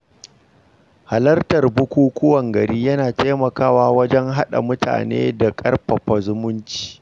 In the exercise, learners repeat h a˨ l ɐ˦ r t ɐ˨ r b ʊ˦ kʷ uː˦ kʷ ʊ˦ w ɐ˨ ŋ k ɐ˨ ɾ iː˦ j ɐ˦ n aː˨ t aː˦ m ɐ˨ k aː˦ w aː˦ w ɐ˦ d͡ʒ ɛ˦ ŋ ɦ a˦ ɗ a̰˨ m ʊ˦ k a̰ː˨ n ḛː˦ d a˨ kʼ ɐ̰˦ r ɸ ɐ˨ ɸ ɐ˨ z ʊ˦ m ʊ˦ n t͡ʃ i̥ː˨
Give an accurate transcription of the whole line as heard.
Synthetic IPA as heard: h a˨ l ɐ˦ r t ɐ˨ r b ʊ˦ kʷ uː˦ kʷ ʊ˦ w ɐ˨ ŋ ɡ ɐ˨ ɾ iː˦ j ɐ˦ n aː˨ t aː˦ m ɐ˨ k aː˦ w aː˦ w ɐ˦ d͡ʒ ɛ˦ ŋ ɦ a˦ ɗ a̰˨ m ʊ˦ t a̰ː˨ n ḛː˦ d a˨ kʼ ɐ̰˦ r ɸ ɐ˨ ɸ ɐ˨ z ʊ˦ m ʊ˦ n t͡ʃ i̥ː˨

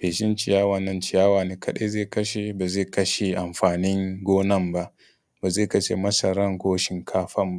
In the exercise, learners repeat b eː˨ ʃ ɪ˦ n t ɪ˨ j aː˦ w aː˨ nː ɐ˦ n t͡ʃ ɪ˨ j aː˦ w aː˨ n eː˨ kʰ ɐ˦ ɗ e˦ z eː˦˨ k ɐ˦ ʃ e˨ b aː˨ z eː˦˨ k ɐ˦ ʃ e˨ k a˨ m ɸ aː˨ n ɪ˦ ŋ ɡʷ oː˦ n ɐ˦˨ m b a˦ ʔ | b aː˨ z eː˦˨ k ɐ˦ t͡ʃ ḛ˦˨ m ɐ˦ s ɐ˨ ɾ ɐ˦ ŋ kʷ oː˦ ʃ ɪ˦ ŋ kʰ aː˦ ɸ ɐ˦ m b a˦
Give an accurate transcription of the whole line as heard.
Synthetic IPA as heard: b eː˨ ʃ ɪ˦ n t͡ʃ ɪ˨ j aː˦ w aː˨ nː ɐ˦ n t͡ʃ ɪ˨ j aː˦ w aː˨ n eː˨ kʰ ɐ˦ ɗ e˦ z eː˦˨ k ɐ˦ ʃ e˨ b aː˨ z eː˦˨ k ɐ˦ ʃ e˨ ʔ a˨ m ɸ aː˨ n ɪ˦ ŋ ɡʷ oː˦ n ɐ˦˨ m b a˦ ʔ | b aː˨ z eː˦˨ k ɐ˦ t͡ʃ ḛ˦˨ m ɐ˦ s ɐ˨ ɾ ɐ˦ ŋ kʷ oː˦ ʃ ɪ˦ ŋ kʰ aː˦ ɸ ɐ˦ m b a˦

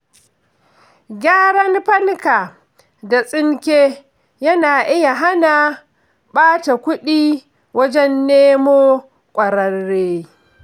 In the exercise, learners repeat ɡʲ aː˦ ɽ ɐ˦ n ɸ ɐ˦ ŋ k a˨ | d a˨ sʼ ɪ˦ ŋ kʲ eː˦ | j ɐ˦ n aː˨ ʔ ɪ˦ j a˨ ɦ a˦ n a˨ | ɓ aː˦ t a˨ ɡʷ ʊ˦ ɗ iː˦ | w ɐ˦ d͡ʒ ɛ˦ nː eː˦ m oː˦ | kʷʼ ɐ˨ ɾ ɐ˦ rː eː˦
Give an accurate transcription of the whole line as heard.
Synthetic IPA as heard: ɡʲ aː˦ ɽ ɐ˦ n ɸ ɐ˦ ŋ k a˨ | d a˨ sʼ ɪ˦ ŋ kʲ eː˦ | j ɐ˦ n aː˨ ʔ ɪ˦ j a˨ ɦ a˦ n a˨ | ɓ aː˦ t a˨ kʷ ʊ˦ ɗ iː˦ | w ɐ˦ d͡ʒ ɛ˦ nː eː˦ m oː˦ | kʷʼ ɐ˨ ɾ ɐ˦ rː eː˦

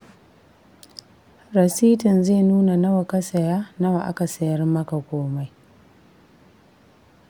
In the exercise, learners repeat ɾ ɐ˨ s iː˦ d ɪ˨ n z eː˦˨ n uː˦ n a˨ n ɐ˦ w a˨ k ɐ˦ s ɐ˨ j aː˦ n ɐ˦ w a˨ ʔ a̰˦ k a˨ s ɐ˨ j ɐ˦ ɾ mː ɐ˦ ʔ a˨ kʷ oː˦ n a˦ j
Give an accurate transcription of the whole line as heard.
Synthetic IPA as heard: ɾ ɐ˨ s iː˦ t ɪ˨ n z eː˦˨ n uː˦ n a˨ n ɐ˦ w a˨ k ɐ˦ s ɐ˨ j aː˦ n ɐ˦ w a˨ ʔ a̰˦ k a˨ s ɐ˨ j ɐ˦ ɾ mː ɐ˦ k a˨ kʷ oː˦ m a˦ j

